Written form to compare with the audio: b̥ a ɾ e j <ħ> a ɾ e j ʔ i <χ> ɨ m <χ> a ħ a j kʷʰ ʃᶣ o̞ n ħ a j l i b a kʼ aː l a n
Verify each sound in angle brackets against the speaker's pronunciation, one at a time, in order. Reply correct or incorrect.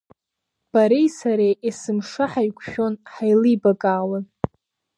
incorrect, incorrect, incorrect

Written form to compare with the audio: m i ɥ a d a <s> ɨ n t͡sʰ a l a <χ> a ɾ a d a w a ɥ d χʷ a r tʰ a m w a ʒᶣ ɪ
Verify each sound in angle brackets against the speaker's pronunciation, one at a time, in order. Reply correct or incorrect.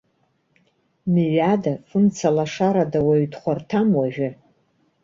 incorrect, incorrect

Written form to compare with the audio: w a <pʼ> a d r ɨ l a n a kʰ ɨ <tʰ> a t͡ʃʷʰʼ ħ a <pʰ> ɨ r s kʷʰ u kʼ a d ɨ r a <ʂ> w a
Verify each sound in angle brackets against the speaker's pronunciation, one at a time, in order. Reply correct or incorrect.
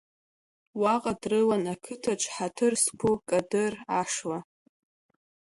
incorrect, correct, incorrect, correct

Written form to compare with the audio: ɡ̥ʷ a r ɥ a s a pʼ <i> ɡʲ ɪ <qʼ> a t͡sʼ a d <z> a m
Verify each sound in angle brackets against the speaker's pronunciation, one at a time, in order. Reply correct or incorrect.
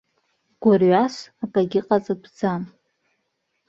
incorrect, correct, incorrect

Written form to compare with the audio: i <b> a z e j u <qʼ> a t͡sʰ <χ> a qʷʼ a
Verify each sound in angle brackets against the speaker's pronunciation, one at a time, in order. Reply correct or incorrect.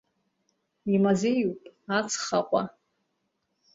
incorrect, incorrect, correct

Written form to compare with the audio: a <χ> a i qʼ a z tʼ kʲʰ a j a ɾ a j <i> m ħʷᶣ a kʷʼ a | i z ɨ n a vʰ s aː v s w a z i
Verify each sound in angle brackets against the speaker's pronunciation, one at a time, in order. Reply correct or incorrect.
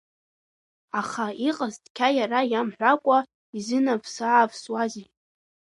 correct, incorrect

